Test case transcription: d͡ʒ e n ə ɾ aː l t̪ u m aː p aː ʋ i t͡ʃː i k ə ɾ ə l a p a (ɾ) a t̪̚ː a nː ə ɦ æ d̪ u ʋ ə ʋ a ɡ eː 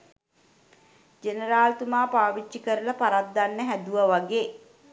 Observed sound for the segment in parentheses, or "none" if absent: ɾ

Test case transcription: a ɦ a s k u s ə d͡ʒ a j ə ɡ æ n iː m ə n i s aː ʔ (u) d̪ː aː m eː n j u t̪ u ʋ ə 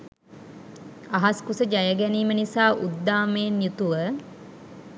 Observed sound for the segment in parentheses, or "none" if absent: u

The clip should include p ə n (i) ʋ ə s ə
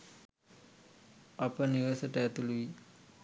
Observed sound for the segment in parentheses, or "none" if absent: i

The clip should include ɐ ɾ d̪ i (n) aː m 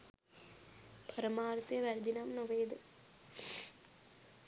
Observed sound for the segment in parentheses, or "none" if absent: n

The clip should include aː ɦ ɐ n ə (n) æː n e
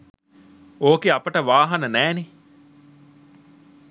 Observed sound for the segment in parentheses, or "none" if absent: n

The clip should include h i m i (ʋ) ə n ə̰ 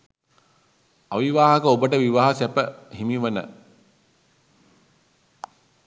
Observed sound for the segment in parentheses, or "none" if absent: ʋ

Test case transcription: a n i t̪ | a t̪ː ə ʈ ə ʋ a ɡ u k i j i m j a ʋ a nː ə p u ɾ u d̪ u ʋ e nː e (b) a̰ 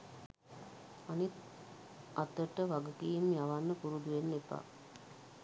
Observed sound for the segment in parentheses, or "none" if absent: p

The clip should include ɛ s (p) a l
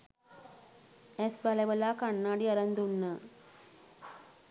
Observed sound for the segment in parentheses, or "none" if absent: b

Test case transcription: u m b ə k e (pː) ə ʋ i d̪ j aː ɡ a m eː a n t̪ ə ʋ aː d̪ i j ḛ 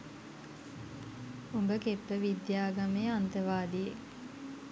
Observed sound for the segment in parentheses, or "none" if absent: pː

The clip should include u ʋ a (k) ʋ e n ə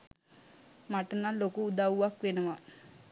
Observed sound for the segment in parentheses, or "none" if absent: k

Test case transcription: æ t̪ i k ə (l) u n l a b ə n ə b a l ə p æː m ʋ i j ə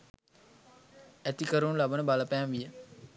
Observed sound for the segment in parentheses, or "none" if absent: ɾ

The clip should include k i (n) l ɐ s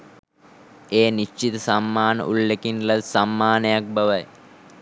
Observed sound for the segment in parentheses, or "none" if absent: n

